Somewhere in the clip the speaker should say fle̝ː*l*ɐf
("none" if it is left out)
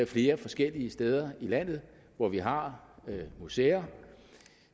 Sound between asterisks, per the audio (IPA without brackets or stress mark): none